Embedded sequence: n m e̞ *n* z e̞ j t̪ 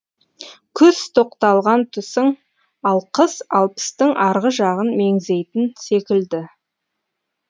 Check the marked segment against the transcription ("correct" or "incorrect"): incorrect